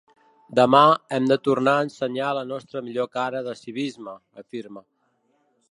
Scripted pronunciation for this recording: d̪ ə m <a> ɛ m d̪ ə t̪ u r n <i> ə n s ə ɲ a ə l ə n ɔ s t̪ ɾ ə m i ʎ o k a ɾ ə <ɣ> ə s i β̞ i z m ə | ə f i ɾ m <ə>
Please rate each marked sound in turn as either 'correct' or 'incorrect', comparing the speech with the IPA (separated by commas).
correct, incorrect, incorrect, correct